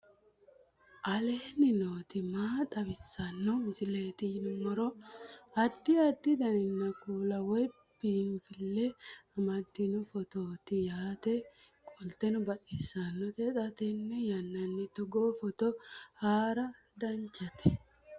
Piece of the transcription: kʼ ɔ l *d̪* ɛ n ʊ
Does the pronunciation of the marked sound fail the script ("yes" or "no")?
yes